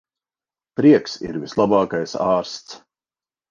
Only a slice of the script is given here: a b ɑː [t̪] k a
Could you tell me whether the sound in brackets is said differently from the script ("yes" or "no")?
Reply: yes